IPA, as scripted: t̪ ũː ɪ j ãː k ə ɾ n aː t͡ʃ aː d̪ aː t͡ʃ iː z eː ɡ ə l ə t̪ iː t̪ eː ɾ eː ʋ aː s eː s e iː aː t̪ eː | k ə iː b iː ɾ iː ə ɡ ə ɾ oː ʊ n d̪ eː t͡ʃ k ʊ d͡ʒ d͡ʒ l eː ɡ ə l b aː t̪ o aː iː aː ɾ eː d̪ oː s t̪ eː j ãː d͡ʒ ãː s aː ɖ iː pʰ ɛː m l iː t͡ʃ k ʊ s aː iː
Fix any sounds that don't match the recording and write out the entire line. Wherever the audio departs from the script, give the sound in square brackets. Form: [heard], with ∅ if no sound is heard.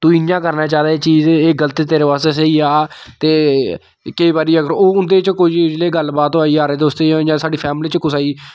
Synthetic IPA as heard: t̪ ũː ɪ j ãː k ə ɾ n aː t͡ʃ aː d̪ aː t͡ʃ iː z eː ɡ ə l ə t̪ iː t̪ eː ɾ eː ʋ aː s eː s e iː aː t̪ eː | k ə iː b [aː] ɾ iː ə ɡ ə ɾ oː ʊ n d̪ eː t͡ʃ k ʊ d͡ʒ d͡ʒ l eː ɡ ə l b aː t̪ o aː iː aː ɾ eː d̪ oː s t̪ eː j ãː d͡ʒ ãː s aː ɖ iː pʰ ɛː m l iː t͡ʃ k ʊ s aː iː